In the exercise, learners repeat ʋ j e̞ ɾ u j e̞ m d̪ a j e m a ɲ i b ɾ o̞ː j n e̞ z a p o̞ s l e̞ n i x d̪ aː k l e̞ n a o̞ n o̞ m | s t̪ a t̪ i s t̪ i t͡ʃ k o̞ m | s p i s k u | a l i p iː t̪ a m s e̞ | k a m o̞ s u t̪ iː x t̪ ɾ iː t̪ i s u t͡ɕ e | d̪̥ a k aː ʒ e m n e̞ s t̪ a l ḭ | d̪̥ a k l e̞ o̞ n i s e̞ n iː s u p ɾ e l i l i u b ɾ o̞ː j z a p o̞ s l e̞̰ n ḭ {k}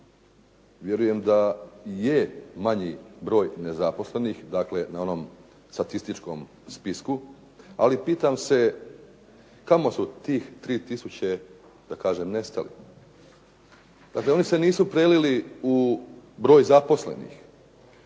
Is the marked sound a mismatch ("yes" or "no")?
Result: yes